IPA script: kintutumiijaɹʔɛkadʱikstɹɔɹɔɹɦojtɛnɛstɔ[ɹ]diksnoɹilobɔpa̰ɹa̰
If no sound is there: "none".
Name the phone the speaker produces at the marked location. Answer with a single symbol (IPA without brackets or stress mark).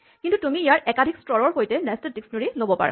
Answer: none